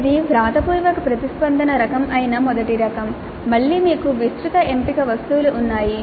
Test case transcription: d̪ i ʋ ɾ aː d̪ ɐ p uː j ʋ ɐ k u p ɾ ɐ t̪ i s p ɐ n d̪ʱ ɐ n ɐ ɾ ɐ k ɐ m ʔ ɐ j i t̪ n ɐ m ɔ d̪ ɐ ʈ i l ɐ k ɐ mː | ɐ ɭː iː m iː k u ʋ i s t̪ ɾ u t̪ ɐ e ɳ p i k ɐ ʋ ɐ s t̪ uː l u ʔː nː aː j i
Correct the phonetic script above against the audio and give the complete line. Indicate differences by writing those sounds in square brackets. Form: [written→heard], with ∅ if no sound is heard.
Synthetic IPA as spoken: d̪ i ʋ ɾ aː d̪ ɐ p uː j ʋ ɐ k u p ɾ ɐ t̪ i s p ɐ n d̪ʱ ɐ n ɐ ɾ ɐ k ɐ m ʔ ɐ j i [t̪→∅] n ɐ m ɔ d̪ ɐ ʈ i [l→ɾ] ɐ k ɐ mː | ɐ ɭː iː m iː k u ʋ i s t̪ ɾ u t̪ ɐ e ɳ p i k ɐ ʋ ɐ s t̪ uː l u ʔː nː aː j i